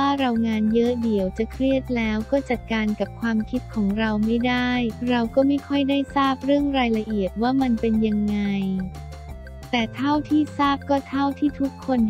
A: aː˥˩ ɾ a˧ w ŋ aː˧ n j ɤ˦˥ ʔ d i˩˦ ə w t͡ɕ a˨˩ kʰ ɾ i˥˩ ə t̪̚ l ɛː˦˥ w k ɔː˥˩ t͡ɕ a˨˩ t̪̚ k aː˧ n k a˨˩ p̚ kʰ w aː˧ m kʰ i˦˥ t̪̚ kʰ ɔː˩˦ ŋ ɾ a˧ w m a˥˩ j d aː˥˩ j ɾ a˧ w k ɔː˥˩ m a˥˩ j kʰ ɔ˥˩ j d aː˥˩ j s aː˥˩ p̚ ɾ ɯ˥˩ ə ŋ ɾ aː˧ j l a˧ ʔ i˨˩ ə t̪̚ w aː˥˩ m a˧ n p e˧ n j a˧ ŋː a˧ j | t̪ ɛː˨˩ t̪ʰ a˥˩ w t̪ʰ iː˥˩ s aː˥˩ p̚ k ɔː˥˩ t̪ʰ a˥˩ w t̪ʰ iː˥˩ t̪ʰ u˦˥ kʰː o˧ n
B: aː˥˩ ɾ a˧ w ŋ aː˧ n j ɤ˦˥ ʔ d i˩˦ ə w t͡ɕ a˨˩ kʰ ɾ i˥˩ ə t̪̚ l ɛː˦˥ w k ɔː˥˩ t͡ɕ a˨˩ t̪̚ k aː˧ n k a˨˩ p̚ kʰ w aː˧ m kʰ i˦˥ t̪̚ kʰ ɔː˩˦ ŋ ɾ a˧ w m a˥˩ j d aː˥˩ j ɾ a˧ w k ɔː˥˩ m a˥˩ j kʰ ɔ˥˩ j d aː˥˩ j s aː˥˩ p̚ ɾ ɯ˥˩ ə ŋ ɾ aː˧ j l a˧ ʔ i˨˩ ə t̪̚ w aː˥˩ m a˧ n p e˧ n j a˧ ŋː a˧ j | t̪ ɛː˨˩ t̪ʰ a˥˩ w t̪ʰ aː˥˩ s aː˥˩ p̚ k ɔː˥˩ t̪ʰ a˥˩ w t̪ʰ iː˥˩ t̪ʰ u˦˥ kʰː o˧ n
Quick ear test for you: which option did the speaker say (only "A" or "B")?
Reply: A